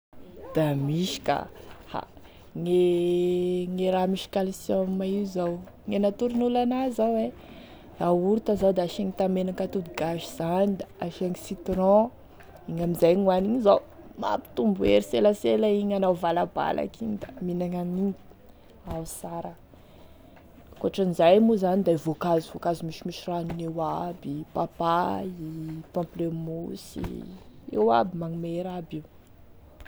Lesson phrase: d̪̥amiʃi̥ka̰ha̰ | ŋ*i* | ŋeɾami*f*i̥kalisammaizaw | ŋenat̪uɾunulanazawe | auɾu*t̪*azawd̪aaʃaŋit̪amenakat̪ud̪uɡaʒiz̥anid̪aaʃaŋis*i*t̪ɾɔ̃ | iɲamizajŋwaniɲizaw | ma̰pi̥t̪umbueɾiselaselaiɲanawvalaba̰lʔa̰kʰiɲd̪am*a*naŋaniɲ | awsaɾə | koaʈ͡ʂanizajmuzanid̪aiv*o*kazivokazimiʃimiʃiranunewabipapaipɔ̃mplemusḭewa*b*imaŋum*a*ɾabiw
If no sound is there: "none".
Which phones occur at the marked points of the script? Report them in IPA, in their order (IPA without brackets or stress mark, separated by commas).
e, ʃ, t̪, i, i, o, b, e